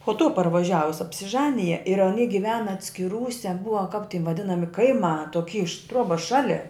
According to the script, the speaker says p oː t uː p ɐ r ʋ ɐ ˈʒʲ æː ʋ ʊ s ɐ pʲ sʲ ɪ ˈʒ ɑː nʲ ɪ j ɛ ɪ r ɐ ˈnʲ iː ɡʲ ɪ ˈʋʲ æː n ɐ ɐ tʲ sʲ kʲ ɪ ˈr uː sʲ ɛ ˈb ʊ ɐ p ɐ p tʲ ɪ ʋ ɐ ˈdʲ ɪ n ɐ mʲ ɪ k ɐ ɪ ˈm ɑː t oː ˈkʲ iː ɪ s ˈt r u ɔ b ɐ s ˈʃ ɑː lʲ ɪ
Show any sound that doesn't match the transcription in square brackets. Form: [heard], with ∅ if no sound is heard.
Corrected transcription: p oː t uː p ɐ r ʋ ɐ ˈʒʲ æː ʋ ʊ s ɐ pʲ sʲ ɪ ˈʒ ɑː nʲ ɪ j ɛ ɪ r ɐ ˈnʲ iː ɡʲ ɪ ˈʋʲ æː n ɐ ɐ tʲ sʲ kʲ ɪ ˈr uː sʲ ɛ ˈb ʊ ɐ [k] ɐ p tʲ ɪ ʋ ɐ ˈdʲ ɪ n ɐ mʲ ɪ k ɐ ɪ ˈm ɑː t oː ˈkʲ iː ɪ [ʃ] ˈt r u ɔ b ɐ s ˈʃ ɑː lʲ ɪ